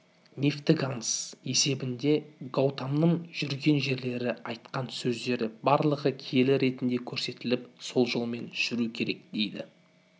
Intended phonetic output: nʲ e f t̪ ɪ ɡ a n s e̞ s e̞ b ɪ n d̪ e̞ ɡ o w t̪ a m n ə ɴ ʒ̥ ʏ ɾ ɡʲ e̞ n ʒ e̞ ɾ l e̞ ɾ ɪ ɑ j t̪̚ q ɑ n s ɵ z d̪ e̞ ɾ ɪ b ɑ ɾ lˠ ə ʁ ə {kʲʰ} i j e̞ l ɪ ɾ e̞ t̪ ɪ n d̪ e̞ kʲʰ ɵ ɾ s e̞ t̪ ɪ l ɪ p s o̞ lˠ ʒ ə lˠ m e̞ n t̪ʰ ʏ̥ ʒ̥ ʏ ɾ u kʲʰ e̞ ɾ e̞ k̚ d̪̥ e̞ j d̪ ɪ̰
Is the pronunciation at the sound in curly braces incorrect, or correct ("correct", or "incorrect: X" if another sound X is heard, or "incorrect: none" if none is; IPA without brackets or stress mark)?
correct